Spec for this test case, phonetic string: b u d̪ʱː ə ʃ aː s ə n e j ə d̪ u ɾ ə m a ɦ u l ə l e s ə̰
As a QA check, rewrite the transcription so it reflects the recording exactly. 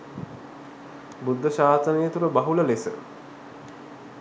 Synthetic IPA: b u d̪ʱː ə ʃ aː s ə n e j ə t̪ u ɾ ə b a ɦ u l ə l e s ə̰

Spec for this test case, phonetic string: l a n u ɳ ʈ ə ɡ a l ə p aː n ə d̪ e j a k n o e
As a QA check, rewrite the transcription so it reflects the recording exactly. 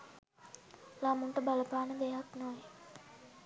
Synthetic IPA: l a m u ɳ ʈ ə b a l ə p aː n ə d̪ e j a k n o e

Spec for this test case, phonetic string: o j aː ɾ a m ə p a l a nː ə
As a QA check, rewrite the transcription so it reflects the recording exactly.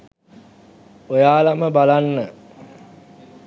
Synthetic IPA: o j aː l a m ə b a l a nː ə

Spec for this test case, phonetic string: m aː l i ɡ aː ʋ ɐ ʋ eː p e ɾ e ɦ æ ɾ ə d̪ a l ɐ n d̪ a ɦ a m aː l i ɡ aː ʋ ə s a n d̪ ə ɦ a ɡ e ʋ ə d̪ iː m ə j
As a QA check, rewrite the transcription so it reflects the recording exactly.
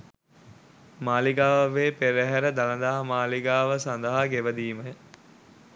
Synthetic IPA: m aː l i ɡ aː ʋ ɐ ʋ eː p e ɾ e ɦ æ ɾ ə d̪ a l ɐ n d̪ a ɦ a m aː l i ɡ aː ʋ ə s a n d̪ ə ɦ a ɡ e ʋ ə d̪ iː m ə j

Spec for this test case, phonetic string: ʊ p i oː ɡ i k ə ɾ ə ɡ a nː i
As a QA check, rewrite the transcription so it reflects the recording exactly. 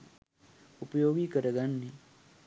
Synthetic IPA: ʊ p j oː ɡ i k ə ɾ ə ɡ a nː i

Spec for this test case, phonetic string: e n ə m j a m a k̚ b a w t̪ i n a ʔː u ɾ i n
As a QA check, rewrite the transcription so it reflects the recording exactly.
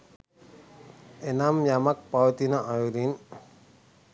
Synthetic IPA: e n a m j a m a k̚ p a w t̪ i n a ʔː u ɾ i n

